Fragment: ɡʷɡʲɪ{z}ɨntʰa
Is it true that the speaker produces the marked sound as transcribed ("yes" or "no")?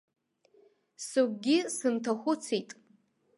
no